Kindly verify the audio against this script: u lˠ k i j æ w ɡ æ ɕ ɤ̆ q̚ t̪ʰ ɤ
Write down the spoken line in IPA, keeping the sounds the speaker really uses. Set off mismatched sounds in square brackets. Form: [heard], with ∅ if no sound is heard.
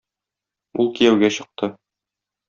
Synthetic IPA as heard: u lˠ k i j æ w ɡ æ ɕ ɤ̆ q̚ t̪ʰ ɤ